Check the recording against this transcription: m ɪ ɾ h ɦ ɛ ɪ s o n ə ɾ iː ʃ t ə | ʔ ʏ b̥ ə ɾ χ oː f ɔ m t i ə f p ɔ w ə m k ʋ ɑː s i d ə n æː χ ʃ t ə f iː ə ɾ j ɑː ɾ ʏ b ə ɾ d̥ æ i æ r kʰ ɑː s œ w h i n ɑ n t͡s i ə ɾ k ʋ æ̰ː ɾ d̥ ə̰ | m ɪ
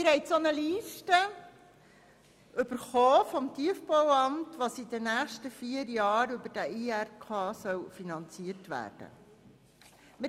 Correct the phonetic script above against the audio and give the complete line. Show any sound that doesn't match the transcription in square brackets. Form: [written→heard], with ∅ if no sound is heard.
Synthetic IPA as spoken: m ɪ ɾ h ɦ ɛ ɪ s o n ə [ɾ→l] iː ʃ t ə | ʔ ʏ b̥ ə ɾ χ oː f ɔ m t i ə f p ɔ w [ə→ɑ] m [k→t] ʋ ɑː s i d ə n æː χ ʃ t ə f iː ə ɾ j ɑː ɾ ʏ b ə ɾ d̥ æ i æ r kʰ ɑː s œ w [h→f] i n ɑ n t͡s i ə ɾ [k→t] ʋ æ̰ː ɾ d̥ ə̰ | m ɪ